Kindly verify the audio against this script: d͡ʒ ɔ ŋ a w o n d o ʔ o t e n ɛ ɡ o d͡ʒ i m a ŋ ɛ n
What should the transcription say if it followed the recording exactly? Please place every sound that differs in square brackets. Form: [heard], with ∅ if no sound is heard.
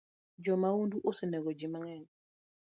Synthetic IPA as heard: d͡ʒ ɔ [m] a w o n d [u] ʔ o [s] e n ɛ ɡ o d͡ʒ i m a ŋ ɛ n